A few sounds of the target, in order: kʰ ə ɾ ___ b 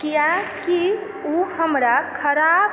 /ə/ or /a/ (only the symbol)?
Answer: a